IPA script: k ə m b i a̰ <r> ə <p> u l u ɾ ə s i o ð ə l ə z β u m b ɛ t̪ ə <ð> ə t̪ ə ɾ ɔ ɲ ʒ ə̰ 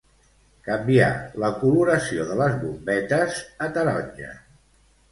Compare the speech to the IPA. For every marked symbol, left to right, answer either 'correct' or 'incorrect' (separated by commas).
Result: incorrect, incorrect, incorrect